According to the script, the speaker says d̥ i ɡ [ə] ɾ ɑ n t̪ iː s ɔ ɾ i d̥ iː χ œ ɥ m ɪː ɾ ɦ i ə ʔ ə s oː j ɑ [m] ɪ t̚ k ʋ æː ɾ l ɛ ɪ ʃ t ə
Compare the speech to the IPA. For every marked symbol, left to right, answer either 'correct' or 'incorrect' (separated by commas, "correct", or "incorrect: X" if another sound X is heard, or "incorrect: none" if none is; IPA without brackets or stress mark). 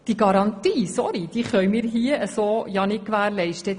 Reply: incorrect: ɑ, incorrect: n